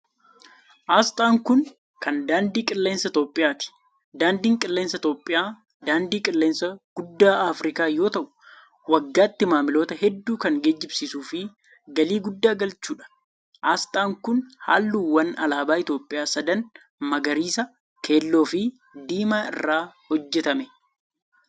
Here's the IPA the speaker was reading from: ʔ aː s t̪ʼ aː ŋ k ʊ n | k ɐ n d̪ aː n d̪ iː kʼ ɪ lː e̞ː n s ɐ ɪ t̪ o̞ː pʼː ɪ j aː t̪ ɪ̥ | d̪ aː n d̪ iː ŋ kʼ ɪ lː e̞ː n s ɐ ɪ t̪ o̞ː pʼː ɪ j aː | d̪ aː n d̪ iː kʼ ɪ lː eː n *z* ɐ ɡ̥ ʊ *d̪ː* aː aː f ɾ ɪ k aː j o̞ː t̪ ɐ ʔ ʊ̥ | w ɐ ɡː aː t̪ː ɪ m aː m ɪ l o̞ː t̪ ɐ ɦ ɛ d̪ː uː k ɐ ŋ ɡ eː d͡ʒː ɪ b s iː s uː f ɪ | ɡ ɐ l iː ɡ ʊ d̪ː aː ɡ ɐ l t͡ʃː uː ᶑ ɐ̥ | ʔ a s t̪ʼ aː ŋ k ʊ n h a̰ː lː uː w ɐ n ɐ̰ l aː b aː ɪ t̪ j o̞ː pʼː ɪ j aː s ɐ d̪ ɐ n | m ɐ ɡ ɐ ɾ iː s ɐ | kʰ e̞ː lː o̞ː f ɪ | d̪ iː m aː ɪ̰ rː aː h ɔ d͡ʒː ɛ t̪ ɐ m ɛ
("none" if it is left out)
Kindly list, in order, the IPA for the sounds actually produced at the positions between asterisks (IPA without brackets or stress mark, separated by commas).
s, d̪ː